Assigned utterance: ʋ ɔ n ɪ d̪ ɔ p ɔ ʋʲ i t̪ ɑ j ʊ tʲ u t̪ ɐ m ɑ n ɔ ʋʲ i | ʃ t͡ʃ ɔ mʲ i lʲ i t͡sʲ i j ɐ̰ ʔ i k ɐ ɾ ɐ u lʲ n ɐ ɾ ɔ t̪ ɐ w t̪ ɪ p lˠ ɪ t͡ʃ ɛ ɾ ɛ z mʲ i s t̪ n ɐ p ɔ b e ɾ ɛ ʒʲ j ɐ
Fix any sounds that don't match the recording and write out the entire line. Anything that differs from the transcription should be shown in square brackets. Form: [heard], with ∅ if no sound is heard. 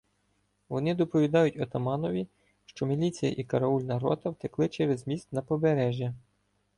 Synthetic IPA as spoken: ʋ ɔ n ɪ d̪ ɔ p ɔ ʋʲ i [d̪] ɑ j ʊ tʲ [ɔ] t̪ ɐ m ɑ n ɔ ʋʲ i | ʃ t͡ʃ ɔ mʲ i lʲ i t͡sʲ i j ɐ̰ ʔ i k ɐ ɾ ɐ u lʲ n ɐ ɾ ɔ t̪ ɐ w t̪ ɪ [k] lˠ ɪ t͡ʃ ɛ ɾ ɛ z mʲ i s t̪ n ɐ p ɔ b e ɾ ɛ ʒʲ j ɐ